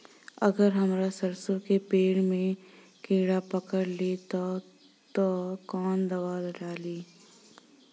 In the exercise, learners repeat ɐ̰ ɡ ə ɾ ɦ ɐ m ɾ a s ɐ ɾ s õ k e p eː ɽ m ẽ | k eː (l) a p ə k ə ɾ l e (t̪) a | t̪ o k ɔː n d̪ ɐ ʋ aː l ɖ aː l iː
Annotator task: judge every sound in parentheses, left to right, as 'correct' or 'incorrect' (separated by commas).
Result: incorrect, correct